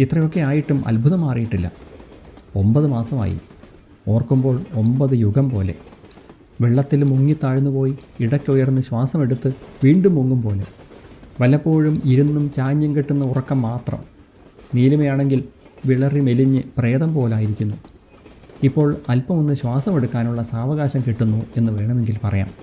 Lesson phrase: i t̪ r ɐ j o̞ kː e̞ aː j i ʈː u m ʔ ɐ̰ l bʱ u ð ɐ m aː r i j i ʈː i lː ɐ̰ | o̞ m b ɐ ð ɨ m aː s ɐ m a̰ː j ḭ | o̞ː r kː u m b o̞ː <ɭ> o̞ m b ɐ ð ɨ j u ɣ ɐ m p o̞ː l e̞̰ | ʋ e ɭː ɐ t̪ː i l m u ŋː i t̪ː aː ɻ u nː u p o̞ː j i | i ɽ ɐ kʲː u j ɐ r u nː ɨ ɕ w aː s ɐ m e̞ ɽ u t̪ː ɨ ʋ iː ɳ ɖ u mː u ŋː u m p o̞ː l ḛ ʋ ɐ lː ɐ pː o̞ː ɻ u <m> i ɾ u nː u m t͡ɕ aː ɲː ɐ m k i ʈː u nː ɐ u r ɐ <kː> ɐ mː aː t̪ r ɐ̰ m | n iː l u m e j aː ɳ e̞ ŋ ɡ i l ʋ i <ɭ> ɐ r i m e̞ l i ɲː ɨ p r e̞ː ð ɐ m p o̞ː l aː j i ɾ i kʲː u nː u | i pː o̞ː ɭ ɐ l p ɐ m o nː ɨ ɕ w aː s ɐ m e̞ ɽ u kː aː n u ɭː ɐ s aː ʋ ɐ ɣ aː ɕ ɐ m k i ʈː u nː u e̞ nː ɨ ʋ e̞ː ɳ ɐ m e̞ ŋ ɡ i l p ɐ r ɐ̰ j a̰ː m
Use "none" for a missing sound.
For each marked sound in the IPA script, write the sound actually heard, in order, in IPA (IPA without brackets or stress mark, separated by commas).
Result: ɭ, m, kː, ɭ